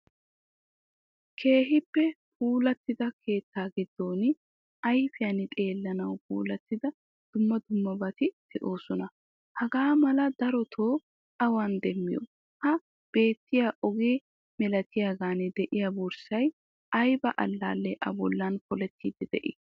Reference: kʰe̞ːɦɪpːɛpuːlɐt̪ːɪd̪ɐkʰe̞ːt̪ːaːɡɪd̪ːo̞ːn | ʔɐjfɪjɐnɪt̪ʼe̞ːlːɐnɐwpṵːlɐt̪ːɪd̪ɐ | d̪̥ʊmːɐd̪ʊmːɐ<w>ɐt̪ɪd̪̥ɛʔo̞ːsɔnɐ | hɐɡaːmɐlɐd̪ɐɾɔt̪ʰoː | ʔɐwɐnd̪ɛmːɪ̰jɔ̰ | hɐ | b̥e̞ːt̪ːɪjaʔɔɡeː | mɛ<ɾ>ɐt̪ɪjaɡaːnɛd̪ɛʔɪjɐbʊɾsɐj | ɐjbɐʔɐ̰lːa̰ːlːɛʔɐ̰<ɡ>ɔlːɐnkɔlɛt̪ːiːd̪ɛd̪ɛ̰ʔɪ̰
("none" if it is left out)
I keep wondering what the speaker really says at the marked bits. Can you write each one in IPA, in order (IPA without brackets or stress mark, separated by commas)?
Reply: b, l, b